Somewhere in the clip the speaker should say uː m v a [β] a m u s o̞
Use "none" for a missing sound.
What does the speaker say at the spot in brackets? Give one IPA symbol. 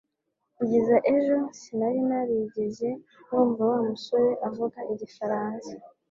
w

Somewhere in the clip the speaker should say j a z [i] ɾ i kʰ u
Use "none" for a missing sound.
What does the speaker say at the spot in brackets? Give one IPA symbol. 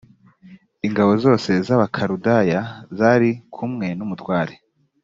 a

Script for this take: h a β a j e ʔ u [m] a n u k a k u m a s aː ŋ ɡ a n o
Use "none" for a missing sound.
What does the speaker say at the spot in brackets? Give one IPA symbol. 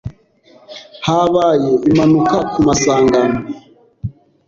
m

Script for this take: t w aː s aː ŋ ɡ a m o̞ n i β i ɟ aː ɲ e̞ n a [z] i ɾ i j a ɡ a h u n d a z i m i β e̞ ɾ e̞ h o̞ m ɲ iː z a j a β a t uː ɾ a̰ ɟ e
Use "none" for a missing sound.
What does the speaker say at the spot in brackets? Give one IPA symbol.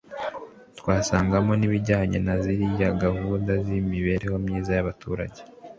z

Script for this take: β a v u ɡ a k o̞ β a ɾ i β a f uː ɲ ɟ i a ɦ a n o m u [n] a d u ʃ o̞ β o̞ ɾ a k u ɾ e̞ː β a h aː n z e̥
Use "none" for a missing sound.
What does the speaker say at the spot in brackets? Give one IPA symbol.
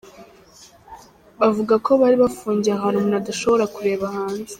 n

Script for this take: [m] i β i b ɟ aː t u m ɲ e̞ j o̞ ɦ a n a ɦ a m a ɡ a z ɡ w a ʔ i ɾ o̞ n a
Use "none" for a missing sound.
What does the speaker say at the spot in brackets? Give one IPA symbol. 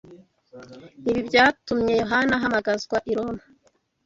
n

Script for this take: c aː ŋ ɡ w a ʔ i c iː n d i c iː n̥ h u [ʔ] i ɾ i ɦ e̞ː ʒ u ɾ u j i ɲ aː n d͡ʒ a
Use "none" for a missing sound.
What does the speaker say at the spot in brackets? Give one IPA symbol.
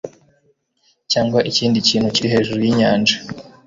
c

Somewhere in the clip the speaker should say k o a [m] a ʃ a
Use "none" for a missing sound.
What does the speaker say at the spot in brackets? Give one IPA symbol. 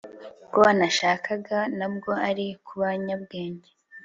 n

